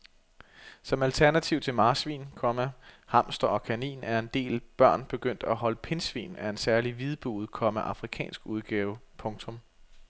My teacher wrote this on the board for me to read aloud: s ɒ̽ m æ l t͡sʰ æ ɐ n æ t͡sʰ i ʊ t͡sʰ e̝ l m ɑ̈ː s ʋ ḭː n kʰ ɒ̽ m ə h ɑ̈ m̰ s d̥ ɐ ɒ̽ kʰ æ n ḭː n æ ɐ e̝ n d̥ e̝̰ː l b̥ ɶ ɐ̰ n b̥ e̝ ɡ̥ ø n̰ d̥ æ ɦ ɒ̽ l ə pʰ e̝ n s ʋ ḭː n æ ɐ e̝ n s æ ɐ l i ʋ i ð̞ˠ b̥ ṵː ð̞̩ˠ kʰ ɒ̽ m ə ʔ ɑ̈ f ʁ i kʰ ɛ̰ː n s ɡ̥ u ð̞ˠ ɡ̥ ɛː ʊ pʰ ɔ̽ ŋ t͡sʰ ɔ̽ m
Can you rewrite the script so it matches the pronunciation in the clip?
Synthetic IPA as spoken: s ɒ̽ m æ l t͡sʰ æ ɐ n æ t͡sʰ i ʊ t͡sʰ e̝ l m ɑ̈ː s ʋ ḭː n kʰ ɒ̽ m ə h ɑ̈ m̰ s d̥ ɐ ɒ̽ kʰ æ n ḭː n æ ɐ e̝ n d̥ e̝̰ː l b̥ ɶ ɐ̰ n b̥ e̝ ɡ̥ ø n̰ d̥ æ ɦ ɒ̽ l ə pʰ e̝ n s ʋ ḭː n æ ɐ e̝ n s æ ɐ l i ʋ i ð̞ˠ b̥ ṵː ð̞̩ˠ kʰ ɒ̽ m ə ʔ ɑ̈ f ʁ i kʰ ɛ̰ː n s ɡ̥ u ð̞ˠ ɡ̥ ɛː ʊ pʰ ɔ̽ ŋ t͡sʰ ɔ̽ m